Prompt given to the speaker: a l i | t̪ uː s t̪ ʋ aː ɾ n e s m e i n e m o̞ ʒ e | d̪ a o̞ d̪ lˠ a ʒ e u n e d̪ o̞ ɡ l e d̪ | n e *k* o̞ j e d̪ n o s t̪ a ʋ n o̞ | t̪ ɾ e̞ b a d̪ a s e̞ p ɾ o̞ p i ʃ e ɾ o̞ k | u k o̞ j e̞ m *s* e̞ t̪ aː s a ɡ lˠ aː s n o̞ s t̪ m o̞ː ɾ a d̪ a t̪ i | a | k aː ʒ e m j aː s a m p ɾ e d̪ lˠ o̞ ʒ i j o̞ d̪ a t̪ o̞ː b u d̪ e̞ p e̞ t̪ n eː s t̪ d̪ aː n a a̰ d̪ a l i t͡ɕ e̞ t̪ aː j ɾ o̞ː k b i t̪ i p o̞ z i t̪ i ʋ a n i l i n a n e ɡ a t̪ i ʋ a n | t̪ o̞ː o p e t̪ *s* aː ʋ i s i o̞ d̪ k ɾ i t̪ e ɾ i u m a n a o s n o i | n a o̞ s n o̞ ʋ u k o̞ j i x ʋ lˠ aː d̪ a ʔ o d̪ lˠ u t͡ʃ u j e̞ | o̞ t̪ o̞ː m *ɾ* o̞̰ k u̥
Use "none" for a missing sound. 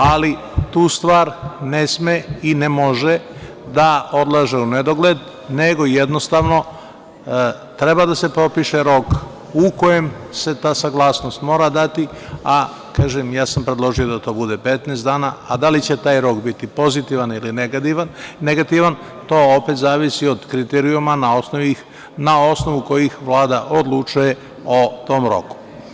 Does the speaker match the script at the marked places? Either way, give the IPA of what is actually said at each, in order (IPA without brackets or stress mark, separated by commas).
ɡ, s, z, ɾ